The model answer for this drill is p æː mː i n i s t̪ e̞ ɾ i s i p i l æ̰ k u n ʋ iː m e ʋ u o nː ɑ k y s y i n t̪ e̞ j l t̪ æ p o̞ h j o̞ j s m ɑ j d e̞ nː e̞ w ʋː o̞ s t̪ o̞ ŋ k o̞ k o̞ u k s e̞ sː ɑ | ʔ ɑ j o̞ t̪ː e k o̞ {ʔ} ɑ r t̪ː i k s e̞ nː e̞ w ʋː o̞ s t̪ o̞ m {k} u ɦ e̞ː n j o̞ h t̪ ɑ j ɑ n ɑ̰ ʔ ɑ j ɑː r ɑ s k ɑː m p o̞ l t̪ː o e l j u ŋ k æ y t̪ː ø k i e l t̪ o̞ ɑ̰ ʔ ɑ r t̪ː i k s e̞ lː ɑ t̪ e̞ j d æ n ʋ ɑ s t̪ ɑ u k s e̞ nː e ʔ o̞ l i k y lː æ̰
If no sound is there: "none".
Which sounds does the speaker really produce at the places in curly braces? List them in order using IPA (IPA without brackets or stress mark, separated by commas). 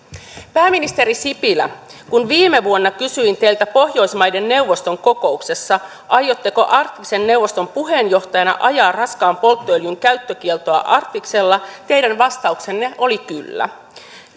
ʔ, p